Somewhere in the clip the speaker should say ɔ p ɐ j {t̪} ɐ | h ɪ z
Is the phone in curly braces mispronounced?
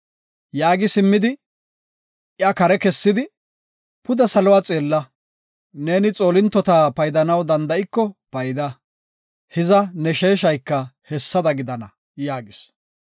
yes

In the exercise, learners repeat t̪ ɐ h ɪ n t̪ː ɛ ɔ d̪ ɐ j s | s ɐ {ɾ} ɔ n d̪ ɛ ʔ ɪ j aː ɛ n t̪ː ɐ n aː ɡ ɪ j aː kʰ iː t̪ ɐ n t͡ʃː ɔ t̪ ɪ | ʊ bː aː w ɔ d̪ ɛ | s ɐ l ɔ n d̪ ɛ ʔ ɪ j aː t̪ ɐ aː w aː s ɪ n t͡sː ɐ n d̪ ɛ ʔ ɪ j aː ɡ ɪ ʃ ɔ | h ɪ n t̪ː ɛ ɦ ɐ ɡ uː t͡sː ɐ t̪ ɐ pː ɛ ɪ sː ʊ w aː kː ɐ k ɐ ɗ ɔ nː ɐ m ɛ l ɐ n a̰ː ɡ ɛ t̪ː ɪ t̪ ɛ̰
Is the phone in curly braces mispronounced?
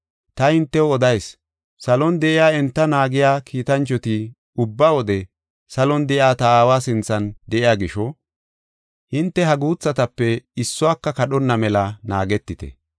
yes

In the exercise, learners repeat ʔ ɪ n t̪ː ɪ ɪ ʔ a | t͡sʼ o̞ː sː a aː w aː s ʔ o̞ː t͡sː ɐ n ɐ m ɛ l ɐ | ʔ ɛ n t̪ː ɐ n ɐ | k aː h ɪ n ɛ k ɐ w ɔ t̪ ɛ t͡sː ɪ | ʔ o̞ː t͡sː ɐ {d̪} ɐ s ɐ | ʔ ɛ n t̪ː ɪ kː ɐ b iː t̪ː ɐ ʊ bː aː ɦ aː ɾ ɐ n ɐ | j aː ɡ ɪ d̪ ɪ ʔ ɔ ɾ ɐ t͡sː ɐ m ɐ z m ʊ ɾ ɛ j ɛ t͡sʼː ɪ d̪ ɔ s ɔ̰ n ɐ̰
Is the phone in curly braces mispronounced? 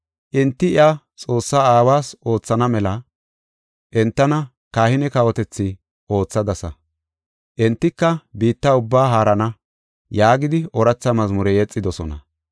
no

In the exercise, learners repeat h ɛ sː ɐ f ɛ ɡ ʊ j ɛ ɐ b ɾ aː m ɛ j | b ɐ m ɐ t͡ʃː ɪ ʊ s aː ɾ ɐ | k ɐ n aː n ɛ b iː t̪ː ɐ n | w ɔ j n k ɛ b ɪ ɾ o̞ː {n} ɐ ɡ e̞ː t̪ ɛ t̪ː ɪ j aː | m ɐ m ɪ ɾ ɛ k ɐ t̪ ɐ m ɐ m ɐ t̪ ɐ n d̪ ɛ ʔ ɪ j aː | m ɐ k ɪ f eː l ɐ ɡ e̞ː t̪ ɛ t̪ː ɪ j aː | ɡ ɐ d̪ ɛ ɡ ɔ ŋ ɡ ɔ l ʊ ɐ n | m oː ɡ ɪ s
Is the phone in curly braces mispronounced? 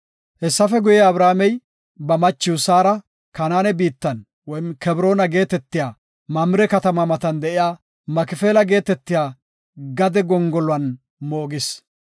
no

